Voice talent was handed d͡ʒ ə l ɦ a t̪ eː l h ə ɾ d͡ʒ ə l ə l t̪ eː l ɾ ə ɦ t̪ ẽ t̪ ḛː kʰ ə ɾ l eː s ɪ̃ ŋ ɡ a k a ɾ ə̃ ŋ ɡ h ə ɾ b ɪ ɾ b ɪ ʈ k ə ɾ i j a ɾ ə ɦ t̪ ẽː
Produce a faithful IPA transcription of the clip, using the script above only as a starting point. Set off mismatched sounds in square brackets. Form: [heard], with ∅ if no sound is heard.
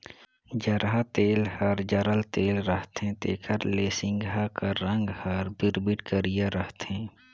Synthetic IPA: d͡ʒ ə [ɾ] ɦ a t̪ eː l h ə ɾ d͡ʒ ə [ɾ] ə l t̪ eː l ɾ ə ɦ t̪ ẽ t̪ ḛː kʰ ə ɾ l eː s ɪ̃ ŋ ɡ a k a ɾ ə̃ ŋ ɡ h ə ɾ b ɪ ɾ b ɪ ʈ k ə ɾ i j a ɾ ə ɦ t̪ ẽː